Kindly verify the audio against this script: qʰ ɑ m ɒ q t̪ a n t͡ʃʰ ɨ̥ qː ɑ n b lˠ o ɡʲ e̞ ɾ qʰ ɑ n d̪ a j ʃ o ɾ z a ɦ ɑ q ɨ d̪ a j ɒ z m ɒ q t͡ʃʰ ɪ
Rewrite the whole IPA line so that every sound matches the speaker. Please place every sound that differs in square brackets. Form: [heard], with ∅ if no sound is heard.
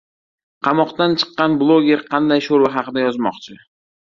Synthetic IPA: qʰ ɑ m ɒ q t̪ a n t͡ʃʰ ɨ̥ qː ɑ n b lˠ o ɡʲ e̞ ɾ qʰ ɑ n d̪ a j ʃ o ɾ [v] a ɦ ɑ q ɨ d̪ a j ɒ z m ɒ q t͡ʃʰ ɪ